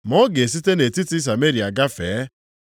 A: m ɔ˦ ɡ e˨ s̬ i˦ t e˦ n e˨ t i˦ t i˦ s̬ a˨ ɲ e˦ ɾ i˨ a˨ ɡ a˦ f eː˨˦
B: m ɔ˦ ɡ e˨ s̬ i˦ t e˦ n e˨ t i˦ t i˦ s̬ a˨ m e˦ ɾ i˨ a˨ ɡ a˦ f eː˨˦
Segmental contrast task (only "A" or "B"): B